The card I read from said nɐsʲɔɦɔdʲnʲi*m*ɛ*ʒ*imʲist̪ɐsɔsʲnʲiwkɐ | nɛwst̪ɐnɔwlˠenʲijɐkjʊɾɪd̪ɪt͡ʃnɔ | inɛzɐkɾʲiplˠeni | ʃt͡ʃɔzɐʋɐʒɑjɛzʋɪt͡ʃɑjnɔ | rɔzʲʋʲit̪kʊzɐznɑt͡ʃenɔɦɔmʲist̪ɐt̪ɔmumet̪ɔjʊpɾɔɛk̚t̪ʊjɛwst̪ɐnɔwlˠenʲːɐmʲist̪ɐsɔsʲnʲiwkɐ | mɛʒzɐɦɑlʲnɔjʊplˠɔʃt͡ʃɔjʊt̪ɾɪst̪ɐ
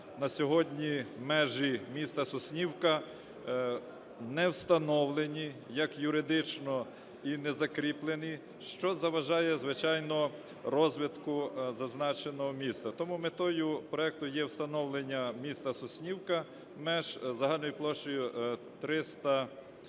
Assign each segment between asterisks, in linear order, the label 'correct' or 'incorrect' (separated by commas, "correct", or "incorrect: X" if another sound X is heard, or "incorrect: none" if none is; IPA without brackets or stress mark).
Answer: correct, correct